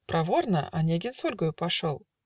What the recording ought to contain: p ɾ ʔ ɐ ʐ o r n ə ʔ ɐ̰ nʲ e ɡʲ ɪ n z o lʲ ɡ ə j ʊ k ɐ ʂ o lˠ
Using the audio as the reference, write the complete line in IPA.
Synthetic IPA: p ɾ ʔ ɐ v o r n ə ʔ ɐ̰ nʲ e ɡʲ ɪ n s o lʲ ɡ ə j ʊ p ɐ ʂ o lˠ